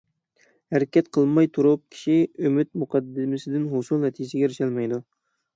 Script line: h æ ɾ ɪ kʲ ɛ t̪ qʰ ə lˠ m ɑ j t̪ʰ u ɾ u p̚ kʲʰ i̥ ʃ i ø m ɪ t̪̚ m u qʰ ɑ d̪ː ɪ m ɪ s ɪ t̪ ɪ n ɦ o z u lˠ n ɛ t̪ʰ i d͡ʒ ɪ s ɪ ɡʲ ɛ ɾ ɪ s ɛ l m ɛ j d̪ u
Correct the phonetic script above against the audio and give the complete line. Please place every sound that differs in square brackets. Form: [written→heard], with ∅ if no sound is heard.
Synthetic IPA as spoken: h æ ɾ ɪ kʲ ɛ t̪ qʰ ə lˠ m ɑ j t̪ʰ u ɾ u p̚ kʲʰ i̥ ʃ i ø m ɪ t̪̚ m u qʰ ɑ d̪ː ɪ m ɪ s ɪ [t̪→d̪] ɪ n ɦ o [z→s] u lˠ n ɛ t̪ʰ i d͡ʒ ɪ s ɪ ɡʲ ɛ ɾ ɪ [s→ʃ] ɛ l m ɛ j d̪ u